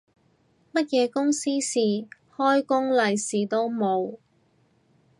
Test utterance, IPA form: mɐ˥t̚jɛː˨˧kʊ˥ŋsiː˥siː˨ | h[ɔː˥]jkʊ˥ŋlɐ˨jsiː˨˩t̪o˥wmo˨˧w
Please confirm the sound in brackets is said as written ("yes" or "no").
yes